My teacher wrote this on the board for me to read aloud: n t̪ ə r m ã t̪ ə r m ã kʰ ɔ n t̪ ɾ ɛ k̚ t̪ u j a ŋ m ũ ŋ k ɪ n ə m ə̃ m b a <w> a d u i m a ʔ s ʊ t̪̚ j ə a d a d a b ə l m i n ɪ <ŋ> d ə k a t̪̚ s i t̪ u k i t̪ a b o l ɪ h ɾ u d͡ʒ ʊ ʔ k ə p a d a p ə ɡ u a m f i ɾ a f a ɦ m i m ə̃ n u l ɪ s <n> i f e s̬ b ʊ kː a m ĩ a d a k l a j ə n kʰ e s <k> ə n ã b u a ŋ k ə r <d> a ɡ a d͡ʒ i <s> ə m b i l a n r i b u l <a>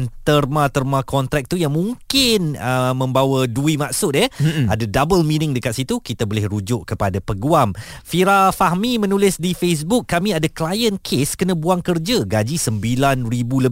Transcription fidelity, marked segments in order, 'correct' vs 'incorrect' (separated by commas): correct, correct, incorrect, correct, incorrect, correct, incorrect